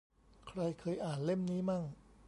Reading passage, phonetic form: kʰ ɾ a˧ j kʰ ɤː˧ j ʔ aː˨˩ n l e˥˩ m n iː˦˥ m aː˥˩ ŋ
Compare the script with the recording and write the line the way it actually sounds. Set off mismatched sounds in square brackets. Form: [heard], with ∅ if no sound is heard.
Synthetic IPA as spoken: kʰ ɾ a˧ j kʰ ɤː˧ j ʔ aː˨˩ n l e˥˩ m n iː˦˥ m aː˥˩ ŋ